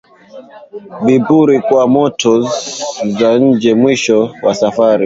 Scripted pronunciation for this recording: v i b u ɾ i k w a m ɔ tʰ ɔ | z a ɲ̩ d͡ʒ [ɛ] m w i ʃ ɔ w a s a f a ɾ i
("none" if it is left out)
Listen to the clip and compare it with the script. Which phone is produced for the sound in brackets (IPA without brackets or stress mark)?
ɛ